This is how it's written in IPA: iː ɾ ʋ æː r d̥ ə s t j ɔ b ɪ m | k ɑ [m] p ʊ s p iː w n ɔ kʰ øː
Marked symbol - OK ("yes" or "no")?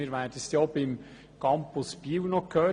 yes